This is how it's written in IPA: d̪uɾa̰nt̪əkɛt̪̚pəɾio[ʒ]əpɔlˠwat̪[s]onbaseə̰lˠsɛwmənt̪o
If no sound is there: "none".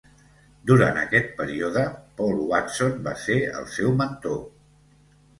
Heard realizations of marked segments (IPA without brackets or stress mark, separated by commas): ð, s